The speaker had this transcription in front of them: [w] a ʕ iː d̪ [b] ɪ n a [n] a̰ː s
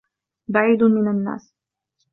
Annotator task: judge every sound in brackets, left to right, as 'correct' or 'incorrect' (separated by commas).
incorrect, incorrect, incorrect